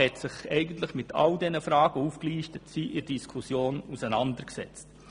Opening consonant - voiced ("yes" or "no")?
no